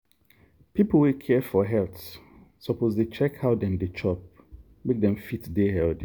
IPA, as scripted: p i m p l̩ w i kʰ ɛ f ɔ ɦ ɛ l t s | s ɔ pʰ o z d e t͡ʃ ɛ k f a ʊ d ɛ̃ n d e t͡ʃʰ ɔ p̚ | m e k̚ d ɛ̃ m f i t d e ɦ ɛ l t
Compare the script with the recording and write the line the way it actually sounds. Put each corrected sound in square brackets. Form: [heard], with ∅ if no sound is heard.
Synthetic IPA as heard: p i [∅] p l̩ w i kʰ ɛ f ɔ ɦ ɛ l t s | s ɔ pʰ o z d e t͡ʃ ɛ k [h] a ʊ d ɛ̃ n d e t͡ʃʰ ɔ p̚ | m e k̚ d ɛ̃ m f i t d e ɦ ɛ l [d]